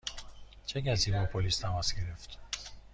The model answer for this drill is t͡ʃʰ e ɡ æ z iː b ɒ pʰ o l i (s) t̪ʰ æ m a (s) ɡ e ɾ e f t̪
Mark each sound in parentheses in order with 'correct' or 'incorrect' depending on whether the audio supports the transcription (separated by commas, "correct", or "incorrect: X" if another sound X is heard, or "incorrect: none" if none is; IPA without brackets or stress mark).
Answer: correct, correct